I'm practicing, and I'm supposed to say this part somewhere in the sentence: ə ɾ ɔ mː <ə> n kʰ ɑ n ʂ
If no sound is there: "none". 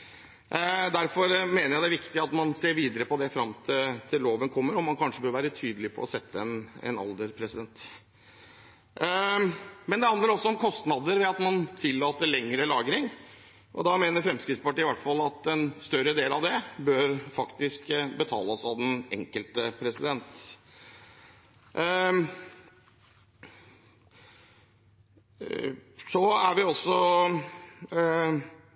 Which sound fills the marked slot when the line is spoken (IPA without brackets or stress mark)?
ɑ